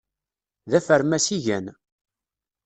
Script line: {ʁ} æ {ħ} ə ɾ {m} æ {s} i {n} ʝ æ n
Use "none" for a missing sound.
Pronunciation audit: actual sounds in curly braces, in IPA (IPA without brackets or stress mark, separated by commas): ð, f, m, s, none